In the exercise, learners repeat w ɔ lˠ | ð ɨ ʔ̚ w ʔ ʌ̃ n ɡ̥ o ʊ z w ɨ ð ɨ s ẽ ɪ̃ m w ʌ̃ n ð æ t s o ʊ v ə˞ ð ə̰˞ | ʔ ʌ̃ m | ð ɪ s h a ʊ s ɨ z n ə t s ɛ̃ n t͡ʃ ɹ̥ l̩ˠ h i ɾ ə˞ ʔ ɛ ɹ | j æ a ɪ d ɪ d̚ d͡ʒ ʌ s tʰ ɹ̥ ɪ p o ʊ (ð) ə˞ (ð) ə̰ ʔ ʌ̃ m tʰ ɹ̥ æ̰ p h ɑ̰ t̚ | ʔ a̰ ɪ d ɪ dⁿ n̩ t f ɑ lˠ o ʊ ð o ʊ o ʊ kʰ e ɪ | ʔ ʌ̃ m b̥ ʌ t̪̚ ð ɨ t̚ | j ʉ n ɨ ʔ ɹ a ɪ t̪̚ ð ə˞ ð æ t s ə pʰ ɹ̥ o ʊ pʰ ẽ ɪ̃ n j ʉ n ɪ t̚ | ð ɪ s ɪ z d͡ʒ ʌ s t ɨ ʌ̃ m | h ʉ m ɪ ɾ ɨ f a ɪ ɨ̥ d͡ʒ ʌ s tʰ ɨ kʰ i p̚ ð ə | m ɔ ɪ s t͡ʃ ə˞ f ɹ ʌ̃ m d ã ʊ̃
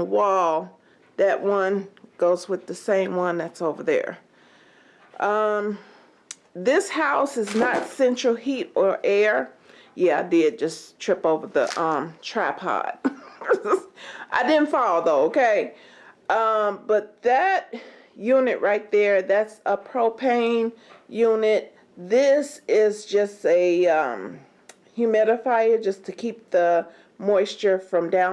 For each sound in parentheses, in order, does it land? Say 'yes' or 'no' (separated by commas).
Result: no, yes